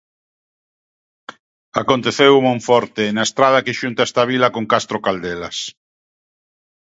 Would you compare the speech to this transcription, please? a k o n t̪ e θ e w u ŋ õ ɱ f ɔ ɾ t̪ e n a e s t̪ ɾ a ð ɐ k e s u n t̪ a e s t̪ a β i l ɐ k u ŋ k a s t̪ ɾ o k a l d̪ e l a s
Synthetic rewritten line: a k o n t̪ e θ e w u m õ ɱ f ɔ ɾ t̪ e n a e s t̪ ɾ a ð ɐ k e ʃ u n t̪ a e s t̪ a β i l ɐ k o ŋ k a s t̪ ɾ o k a l d̪ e l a s

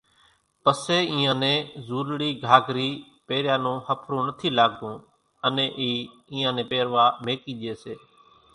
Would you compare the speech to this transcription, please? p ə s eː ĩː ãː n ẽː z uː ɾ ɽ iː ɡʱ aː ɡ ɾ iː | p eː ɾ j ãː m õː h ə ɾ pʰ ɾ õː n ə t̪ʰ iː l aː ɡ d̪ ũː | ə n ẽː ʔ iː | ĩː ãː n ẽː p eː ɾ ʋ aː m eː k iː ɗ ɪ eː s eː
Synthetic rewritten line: p ə s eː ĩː ãː n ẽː z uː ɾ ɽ iː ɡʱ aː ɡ ɾ iː | p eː ɾ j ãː n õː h ə pʰ ɾ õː n ə t̪ʰ iː l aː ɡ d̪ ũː | ə n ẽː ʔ iː | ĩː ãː n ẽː p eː ɾ ʋ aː m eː k iː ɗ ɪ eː s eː

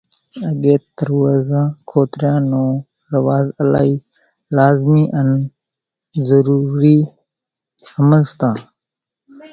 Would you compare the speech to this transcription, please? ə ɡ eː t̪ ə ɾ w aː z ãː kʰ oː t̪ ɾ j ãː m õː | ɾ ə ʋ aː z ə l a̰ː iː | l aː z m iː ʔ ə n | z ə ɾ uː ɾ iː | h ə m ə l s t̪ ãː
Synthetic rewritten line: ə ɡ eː t̪ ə ɾ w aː z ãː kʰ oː t̪ ɾ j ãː n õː | ɾ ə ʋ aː z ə l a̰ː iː | l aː z m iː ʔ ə n | z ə ɾ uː ɾ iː | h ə m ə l s t̪ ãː

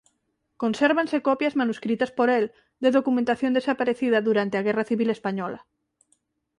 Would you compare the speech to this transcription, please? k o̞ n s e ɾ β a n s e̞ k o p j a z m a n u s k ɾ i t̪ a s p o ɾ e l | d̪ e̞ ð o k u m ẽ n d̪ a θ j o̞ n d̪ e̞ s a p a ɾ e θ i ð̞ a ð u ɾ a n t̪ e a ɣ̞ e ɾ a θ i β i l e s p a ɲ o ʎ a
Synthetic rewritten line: k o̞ n s e ɾ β a n s e̞ k o p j a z m a n u s k ɾ i t̪ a s p o ɾ e l | d̪ e̞ ð o k u m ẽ n t̪ a θ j o̞ n d̪ e̞ s a p a ɾ e θ i ð̞ a ð u ɾ a n t̪ e a ɣ̞ e r a θ i β i l e s p a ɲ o l a

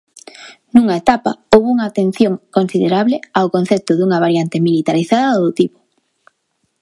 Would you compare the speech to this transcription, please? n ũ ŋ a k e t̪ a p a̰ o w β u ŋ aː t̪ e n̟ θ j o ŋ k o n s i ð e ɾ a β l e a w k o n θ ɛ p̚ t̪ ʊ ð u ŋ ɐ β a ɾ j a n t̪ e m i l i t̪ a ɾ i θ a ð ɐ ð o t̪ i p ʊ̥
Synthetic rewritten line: n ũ ŋ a e t̪ a p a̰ o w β u ŋ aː t̪ e n̟ θ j o ŋ k o n s i ð e ɾ a β l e a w k o n θ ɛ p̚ t̪ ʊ ð u ŋ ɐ β a ɾ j a n t̪ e m i l i t̪ a ɾ i θ a ð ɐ ð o t̪ i p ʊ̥

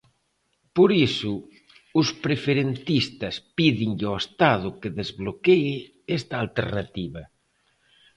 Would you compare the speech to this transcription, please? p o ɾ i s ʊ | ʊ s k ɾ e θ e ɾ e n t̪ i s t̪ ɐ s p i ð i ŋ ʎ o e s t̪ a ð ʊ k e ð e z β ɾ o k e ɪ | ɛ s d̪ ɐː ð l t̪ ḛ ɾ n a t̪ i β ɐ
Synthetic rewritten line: p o ɾ i s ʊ | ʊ s p ɾ e f e ɾ e n t̪ i s t̪ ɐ s p i ð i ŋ ʎ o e s t̪ a ð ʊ k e ð e z β l o k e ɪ | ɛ s t̪ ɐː l t̪ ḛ ɾ n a t̪ i β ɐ

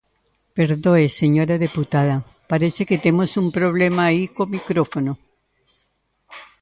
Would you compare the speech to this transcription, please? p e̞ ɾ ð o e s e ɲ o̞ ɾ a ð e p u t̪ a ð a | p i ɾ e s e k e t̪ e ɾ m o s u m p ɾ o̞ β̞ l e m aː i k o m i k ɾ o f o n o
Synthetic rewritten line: p e̞ ɾ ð o e s e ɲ o̞ ɾ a ð e p u t̪ a ð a | p a ɾ e s e k e t̪ e m o s u m p ɾ o̞ β̞ l e m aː i k o m i k ɾ o f o n o

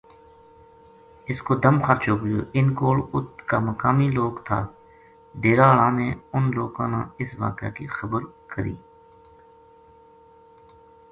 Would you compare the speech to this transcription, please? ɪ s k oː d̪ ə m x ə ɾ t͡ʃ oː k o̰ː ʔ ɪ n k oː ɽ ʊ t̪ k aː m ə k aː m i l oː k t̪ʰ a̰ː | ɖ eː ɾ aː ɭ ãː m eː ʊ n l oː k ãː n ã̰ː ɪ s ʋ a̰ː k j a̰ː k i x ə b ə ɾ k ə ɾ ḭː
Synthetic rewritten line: ɪ s k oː d̪ ə m x ə ɾ t͡ʃ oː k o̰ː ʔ ɪ n k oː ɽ ʊ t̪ k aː m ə k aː m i l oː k t̪ʰ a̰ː | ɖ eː ɾ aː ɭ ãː n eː ʊ n l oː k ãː n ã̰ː ɪ s ʋ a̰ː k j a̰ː k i x ə b ə ɾ k ə ɾ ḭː

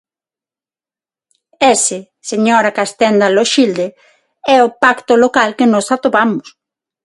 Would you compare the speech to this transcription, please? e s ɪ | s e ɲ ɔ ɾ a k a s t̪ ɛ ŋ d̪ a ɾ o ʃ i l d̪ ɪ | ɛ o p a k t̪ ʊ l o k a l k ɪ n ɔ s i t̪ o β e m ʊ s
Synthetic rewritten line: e s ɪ | s e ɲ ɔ ɾ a k a s t̪ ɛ n d̪ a l o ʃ i l d̪ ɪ | ɛ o p a k t̪ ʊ l o k a l k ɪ n ɔ s a t̪ o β a m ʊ s

